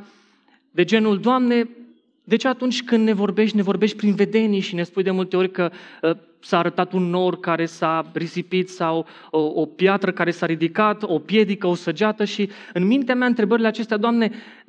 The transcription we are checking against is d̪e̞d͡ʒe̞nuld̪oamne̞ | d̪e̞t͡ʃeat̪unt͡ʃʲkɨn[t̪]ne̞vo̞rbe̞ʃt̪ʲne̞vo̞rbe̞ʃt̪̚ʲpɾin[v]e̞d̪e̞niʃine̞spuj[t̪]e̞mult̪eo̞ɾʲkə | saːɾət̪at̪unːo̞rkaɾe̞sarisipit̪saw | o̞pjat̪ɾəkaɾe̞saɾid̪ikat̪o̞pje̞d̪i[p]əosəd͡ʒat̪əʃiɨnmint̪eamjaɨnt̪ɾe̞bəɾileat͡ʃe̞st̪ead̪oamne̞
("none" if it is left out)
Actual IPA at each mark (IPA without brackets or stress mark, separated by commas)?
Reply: d̪, v, d̪, k